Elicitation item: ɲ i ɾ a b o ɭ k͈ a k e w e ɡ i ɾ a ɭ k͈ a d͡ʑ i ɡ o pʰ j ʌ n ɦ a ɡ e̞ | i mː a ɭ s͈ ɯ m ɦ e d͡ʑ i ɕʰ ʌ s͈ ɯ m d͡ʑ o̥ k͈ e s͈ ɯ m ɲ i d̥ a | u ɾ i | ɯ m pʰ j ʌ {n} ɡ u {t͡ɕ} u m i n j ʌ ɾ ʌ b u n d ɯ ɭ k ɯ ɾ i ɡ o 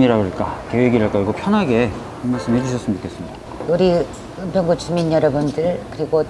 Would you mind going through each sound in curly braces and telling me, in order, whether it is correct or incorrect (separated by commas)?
incorrect, correct